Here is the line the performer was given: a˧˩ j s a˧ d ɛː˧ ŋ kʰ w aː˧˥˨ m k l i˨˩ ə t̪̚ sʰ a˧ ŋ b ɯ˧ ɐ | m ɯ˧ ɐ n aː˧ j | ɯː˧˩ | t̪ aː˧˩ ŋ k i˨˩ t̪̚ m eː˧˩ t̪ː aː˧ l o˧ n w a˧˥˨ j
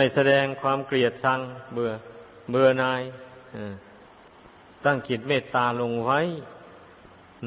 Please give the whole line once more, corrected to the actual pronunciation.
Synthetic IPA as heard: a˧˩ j s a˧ d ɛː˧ ŋ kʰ w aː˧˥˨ m k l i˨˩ ə t̪̚ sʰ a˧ ŋ b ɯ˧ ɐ | b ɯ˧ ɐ n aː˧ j | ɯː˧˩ | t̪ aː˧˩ ŋ k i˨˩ t̪̚ m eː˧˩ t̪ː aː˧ l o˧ ŋ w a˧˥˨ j